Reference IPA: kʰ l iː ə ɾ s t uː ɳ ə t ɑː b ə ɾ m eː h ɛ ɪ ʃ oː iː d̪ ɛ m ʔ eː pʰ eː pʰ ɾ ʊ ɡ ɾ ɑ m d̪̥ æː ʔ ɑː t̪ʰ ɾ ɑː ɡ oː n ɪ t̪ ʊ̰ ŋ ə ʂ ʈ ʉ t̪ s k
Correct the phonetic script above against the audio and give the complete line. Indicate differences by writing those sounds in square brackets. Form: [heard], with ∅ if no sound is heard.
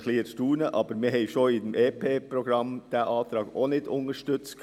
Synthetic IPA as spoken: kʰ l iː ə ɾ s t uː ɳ ə [ʔ] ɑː b ə ɾ m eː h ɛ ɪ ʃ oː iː d̪ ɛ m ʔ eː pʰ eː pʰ ɾ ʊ ɡ ɾ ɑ m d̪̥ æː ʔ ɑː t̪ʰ ɾ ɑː ɡ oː n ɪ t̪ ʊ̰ ŋ ə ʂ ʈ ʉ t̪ s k